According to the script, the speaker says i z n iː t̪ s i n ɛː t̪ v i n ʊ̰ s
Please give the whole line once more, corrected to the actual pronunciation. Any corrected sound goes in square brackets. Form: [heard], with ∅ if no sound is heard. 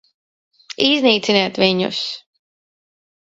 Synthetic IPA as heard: i z n iː t̪ s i n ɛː t̪ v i [ɲ] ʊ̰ s

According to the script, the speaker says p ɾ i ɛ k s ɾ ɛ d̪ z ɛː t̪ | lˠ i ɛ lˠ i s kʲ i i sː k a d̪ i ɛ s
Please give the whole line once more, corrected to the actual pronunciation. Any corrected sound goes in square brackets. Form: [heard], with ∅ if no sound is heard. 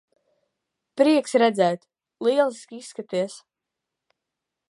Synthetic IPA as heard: p ɾ i ɛ k s ɾ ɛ d̪ z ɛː t̪ | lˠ i ɛ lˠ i s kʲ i i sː k a [t̪] i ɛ s

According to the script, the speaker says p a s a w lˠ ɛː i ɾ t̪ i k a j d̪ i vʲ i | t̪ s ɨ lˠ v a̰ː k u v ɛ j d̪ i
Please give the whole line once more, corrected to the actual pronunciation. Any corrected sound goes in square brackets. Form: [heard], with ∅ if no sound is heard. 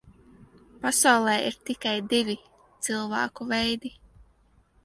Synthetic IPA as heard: p a s a w lˠ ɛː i ɾ t̪ i k a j d̪ i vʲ i | t̪ s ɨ lˠ v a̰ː k u v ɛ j d̪ i

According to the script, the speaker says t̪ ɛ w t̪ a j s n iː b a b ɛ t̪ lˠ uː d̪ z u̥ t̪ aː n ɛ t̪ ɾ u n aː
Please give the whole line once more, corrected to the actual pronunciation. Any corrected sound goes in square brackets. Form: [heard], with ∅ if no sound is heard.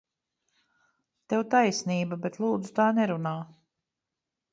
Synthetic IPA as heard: t̪ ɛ w t̪ a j s n iː b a b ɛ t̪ lˠ uː d̪ z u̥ t̪ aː n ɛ [∅] ɾ u n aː

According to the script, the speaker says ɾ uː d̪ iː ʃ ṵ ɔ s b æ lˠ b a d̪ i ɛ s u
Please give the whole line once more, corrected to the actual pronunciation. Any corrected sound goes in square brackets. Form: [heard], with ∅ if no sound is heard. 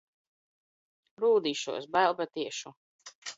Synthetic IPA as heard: ɾ uː d̪ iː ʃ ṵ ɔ s b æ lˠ b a [t̪] i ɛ [ʃ] u

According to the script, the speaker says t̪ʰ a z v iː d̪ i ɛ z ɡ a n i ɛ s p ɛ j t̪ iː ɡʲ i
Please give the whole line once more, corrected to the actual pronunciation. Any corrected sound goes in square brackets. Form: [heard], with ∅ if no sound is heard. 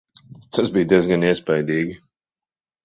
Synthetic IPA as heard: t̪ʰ a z [b] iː d̪ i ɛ z ɡ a n i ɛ s p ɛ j [d̪] iː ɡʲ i

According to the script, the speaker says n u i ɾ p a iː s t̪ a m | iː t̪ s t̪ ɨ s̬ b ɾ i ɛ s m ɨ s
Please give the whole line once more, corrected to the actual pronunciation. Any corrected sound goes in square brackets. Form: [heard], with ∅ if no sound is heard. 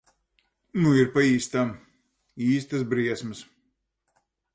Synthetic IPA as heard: n u i ɾ p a iː s t̪ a m | iː [∅] s t̪ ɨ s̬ b ɾ i ɛ s m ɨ s

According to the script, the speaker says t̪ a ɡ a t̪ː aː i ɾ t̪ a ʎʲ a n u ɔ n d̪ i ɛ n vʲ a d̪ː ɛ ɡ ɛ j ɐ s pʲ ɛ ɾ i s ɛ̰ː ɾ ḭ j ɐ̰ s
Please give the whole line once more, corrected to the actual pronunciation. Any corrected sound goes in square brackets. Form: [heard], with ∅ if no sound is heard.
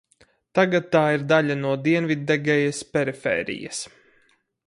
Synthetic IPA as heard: t̪ a ɡ a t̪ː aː i ɾ [d̪] a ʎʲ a n u ɔ [∅] d̪ i ɛ n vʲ [i] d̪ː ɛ ɡ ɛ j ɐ s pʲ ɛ ɾ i [f] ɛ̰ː ɾ ḭ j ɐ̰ s

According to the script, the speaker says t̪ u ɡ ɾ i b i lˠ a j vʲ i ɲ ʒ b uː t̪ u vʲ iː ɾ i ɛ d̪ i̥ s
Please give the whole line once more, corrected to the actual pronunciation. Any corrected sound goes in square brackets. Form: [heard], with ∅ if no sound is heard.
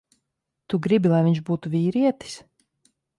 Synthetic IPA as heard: t̪ u ɡ ɾ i b i lˠ a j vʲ i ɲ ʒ b uː t̪ u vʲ iː ɾ i ɛ [t̪] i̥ s

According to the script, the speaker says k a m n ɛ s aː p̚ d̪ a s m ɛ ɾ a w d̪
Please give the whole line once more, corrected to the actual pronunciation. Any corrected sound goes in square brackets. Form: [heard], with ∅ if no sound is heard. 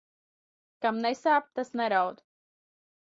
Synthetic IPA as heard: k a m n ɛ s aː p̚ [t̪] a s [n] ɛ ɾ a w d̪

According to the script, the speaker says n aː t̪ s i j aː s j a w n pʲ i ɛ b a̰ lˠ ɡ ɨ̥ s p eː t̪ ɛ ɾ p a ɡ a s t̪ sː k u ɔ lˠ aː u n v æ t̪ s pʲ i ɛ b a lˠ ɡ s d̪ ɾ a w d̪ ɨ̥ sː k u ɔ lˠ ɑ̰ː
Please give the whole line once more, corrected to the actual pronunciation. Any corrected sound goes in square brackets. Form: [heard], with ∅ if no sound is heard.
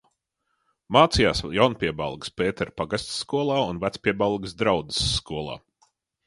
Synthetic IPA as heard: [m] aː t̪ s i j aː s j a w n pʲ i ɛ b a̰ lˠ ɡ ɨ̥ s p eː t̪ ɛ ɾ p a ɡ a s t̪ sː k u ɔ lˠ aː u n v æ t̪ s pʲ i ɛ b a lˠ ɡ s d̪ ɾ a w d̪ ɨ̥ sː k u ɔ lˠ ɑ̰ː

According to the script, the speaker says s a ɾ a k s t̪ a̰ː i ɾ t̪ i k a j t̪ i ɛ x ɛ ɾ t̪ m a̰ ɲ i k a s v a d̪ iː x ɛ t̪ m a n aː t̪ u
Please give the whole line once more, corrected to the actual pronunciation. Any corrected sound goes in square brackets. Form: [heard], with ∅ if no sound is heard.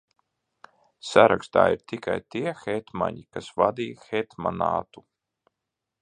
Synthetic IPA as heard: s a ɾ a k s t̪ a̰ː i ɾ t̪ i k a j t̪ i ɛ x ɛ [∅] t̪ m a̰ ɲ i k a s v a d̪ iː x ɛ t̪ m a n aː t̪ u

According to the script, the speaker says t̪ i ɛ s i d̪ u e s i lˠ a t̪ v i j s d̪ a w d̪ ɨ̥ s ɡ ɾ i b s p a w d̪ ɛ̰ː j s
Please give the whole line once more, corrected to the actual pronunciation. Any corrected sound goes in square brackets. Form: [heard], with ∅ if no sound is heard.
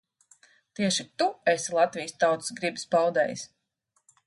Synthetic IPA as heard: t̪ i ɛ [ʃ] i [t̪] u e s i lˠ a t̪ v i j s [t̪] a w [t̪] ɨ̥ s ɡ ɾ i b s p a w d̪ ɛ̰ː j s

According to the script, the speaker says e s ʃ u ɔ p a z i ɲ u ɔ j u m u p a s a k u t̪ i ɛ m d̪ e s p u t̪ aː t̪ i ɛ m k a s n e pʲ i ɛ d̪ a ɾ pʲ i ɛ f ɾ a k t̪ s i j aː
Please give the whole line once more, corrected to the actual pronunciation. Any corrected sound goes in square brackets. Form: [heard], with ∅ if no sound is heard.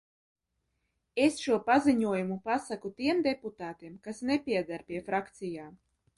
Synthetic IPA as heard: e s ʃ u ɔ p a z i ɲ u ɔ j u m u p a s a k u t̪ i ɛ m d̪ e [∅] p u t̪ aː t̪ i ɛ m k a s n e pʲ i ɛ d̪ a ɾ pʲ i ɛ f ɾ a k t̪ s i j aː

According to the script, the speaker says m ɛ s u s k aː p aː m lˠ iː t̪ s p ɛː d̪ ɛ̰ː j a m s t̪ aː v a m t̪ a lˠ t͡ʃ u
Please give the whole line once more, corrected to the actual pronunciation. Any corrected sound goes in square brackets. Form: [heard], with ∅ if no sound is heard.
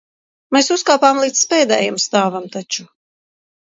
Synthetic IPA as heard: m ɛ s u s k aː p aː m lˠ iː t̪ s p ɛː d̪ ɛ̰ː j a m s t̪ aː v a m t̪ a [∅] t͡ʃ u

